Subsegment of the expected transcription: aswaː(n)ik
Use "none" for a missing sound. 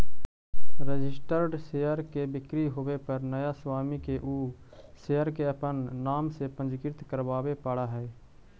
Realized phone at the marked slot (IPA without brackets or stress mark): m